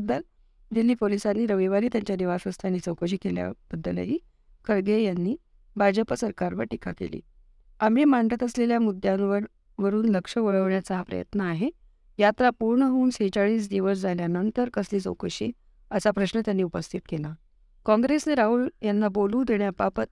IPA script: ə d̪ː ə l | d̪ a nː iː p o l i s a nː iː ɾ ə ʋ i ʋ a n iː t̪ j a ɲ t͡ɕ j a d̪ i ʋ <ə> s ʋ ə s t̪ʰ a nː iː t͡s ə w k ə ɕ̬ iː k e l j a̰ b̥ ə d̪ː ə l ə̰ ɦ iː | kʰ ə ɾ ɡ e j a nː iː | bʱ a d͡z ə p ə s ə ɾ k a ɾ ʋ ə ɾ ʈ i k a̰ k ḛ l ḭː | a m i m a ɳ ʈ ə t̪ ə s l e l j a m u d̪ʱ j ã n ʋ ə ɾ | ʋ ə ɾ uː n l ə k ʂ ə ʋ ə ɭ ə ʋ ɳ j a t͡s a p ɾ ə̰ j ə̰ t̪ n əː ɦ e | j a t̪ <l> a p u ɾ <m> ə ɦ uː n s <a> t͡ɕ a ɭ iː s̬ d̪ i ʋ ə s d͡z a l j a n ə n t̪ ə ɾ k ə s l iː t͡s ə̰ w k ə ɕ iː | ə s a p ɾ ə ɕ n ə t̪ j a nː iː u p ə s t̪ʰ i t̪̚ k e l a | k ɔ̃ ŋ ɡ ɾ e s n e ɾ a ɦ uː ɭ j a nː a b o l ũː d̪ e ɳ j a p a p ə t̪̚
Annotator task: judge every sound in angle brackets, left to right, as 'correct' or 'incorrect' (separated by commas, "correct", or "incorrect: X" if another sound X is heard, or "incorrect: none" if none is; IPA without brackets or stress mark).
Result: incorrect: a, incorrect: ɾ, incorrect: ɳ, incorrect: e